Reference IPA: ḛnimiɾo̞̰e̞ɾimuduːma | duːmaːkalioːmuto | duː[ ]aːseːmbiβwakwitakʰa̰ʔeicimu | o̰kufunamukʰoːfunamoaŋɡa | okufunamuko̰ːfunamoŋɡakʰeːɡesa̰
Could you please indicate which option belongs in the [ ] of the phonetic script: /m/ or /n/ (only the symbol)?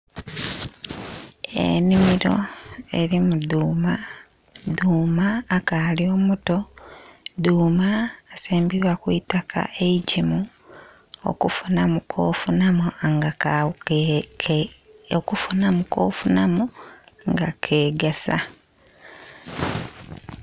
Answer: m